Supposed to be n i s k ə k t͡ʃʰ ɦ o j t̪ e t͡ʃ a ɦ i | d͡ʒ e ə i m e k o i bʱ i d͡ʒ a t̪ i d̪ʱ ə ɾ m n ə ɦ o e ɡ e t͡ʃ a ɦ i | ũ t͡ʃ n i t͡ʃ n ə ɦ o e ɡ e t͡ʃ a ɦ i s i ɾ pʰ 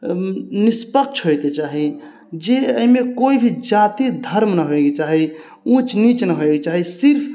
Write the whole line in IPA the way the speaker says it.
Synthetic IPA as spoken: n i s p ə k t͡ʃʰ ɦ o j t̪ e t͡ʃ a ɦ i | d͡ʒ e ə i m e k o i bʱ i d͡ʒ a t̪ i d̪ʱ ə ɾ m n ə ɦ o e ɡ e t͡ʃ a ɦ i | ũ t͡ʃ n i t͡ʃ n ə ɦ o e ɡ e t͡ʃ a ɦ i s i ɾ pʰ